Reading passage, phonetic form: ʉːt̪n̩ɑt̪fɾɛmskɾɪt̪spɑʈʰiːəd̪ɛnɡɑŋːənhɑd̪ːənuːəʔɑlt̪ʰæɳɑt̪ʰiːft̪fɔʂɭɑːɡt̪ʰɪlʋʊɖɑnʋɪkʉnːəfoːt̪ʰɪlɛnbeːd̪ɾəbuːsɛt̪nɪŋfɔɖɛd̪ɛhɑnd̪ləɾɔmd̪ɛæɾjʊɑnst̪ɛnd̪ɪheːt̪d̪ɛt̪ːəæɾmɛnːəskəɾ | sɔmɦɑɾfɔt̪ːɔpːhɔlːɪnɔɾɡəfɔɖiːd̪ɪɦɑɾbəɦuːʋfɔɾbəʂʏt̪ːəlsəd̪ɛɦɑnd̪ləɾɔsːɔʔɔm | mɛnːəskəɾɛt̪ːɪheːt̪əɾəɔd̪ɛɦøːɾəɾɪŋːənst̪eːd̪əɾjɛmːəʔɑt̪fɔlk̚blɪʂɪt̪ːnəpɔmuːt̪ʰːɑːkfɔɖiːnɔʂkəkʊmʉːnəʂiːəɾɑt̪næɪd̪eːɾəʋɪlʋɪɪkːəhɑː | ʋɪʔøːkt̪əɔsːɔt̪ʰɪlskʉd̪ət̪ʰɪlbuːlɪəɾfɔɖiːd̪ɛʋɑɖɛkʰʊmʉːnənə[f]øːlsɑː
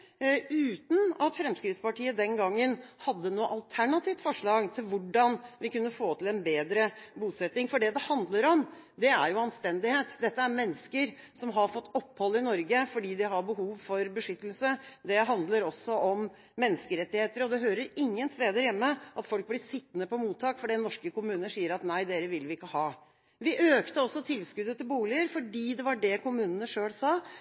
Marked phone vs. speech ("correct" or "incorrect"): incorrect